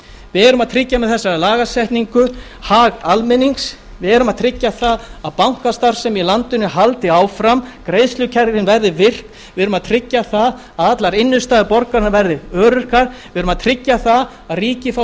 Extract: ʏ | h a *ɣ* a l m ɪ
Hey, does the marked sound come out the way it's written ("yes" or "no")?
yes